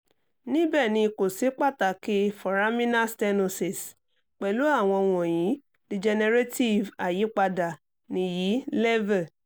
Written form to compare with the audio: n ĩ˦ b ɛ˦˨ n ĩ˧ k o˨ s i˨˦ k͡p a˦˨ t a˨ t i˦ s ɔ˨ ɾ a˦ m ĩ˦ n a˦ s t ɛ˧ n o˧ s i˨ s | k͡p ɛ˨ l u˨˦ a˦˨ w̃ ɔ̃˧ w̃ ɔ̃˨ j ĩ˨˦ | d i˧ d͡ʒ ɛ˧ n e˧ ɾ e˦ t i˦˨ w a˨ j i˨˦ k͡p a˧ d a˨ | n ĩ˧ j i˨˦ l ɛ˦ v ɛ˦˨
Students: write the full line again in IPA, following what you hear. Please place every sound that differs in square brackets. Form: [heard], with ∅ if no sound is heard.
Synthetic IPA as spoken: n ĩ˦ b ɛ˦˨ n ĩ˧ k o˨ s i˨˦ k͡p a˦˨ t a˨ [k] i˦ [f] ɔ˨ ɾ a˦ m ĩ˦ n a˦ s t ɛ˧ n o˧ s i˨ s | k͡p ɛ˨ l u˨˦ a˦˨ w̃ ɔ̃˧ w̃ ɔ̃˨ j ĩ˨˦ | d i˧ d͡ʒ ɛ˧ n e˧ ɾ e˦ t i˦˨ [v] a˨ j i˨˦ k͡p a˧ d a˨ | n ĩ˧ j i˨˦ l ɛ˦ v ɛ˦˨